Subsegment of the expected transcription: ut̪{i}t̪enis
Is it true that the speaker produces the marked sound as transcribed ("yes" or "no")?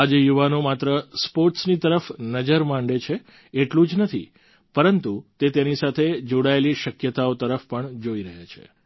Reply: no